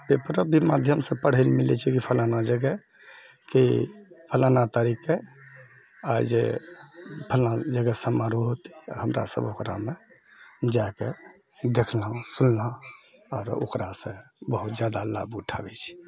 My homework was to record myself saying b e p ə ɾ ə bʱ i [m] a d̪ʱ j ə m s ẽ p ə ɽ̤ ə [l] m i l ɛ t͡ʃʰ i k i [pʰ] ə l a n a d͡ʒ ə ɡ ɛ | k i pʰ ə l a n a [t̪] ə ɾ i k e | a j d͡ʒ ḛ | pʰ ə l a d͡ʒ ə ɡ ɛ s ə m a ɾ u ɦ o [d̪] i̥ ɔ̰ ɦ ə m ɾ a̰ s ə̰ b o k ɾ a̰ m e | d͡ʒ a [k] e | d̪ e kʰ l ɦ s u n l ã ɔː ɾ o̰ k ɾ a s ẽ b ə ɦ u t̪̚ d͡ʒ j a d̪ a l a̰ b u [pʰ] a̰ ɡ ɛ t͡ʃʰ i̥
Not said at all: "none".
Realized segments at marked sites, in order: m, l, pʰ, t̪, t̪, k, ʈʰ

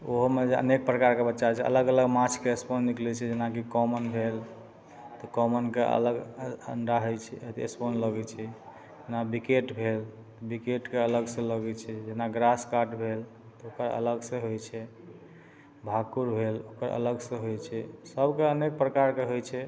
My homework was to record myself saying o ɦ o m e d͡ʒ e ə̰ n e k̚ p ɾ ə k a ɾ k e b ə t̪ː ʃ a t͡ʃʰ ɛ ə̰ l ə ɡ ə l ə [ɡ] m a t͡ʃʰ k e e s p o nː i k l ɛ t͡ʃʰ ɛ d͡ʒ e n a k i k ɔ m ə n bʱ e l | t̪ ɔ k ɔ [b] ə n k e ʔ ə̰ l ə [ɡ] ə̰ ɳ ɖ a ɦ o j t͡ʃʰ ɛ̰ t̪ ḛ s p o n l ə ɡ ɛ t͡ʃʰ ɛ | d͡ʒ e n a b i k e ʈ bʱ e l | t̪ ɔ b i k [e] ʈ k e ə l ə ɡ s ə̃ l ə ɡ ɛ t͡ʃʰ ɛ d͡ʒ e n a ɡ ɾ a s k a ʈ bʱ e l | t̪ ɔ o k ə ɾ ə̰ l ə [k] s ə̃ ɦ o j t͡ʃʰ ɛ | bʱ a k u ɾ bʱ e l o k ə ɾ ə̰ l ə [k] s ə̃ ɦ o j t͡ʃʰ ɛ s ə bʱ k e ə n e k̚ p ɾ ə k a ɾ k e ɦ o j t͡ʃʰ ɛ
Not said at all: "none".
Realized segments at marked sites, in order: ɡ, m, ɡ, e, ɡ, ɡ

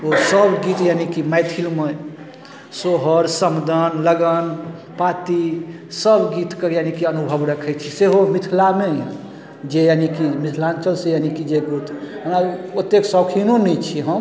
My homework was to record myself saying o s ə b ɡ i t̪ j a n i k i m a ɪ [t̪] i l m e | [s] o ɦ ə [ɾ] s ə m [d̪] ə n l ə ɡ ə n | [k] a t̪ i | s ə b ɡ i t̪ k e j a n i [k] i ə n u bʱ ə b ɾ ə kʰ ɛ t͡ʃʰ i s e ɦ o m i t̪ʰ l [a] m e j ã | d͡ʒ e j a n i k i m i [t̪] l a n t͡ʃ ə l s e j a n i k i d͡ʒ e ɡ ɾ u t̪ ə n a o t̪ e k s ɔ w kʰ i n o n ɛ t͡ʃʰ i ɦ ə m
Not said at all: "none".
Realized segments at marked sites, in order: t̪ʰ, s, ɾ, d̪, p, k, a, t̪ʰ

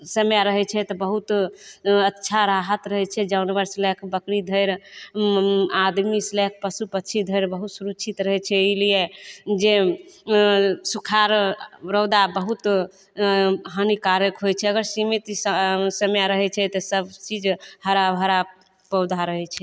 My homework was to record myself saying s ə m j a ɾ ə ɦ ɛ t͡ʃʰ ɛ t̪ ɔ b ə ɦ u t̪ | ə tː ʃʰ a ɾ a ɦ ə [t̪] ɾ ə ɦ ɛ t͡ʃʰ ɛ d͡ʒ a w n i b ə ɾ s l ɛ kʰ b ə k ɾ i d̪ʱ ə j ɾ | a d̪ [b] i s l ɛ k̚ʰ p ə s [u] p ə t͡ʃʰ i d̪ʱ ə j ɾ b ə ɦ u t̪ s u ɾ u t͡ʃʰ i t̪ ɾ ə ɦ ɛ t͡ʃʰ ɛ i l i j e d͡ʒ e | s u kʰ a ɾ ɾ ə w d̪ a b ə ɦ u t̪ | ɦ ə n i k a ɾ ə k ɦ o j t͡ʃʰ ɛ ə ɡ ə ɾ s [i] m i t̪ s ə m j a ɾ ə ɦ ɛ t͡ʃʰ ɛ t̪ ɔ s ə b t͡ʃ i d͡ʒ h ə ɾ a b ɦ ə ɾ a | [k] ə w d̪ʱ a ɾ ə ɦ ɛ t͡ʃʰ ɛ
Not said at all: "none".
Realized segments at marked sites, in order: t̪, m, u, i, p

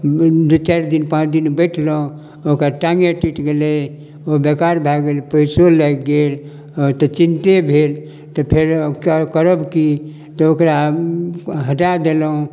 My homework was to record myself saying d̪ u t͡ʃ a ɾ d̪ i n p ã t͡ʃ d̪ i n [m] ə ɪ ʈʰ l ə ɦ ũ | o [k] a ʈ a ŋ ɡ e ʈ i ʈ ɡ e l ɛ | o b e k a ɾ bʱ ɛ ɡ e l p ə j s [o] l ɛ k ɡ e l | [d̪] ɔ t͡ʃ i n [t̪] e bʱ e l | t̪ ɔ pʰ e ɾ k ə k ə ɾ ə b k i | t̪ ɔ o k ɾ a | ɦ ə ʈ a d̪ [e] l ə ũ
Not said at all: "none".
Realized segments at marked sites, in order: b, k, o, t̪, t̪, e

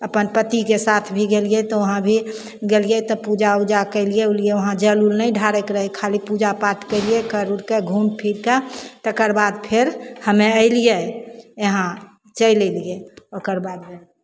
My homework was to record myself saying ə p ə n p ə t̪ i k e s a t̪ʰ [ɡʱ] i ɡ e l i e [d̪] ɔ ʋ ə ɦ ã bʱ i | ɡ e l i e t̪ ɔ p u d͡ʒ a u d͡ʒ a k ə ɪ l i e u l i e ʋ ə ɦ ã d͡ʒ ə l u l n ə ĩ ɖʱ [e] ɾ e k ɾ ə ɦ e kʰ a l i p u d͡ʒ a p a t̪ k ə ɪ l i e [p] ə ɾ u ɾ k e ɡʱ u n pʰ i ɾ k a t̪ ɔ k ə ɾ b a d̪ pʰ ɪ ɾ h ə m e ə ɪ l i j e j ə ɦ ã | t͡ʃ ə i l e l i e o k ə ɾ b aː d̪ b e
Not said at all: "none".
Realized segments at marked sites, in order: bʱ, t̪, a, k

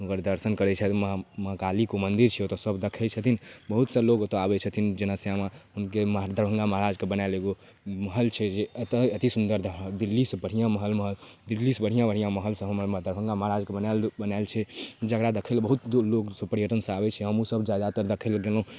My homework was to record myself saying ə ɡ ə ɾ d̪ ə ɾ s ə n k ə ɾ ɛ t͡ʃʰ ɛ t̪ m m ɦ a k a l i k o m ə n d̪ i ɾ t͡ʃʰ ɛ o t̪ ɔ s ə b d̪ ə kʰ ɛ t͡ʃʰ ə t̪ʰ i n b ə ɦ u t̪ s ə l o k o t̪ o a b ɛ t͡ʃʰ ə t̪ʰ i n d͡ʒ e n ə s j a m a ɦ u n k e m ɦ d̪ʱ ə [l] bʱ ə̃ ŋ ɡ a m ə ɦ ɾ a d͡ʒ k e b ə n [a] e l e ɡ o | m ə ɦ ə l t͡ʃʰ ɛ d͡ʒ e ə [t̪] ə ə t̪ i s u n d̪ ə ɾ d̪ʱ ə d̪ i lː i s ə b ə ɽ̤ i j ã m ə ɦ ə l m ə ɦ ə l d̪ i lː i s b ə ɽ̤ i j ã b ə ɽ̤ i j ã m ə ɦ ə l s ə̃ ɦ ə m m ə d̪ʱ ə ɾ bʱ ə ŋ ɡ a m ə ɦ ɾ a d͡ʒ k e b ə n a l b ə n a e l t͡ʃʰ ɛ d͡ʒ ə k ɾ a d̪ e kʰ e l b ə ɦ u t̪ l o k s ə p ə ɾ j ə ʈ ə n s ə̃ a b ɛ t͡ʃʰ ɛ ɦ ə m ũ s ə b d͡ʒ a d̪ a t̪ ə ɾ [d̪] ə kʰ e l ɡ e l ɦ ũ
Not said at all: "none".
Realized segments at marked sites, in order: ɾ, a, t̪, d̪

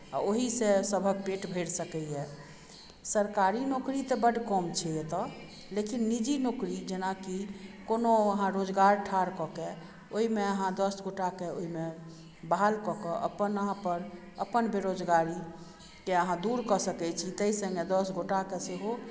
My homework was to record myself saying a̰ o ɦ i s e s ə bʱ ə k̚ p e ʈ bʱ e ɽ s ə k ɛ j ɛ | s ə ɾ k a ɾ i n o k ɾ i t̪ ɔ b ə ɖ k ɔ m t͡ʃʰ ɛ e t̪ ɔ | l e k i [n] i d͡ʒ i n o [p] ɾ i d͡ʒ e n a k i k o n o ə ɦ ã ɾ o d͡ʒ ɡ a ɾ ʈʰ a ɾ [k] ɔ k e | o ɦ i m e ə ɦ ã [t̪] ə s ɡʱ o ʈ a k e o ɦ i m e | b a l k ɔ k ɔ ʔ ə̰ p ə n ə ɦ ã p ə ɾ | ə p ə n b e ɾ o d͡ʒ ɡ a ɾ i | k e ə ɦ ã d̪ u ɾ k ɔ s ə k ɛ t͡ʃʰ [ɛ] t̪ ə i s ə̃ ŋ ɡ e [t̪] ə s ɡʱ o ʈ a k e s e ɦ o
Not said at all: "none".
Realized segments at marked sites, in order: nː, k, k, d̪, i, d̪

